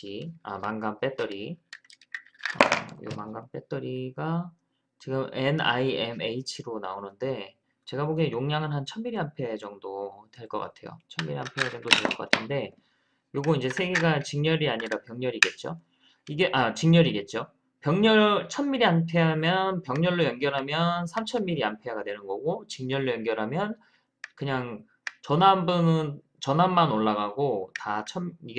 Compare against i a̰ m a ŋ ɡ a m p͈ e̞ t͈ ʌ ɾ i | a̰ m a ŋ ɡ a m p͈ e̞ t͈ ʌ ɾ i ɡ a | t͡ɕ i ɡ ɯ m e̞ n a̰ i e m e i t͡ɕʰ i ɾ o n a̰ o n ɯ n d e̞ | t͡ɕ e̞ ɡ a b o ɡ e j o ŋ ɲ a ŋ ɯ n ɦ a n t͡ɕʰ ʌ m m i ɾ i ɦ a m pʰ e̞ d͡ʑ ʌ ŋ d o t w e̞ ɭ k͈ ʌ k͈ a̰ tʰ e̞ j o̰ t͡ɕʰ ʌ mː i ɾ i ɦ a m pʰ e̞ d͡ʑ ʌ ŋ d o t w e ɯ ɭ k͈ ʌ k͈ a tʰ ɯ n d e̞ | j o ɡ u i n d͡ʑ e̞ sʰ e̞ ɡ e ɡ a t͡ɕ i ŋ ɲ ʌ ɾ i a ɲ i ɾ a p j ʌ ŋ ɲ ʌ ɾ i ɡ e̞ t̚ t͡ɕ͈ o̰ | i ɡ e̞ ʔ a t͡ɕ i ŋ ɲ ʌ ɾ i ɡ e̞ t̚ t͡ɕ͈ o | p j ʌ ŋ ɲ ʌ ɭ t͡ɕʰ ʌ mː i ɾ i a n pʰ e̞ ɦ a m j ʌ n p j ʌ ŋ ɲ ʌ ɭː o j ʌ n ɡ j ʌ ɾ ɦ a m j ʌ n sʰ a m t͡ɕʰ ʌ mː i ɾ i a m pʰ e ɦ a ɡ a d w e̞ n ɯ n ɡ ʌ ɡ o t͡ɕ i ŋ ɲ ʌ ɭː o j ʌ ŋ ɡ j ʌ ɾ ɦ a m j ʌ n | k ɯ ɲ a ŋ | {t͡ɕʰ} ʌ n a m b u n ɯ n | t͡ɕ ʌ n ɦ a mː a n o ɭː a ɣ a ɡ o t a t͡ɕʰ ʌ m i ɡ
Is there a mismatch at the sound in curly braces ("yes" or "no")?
yes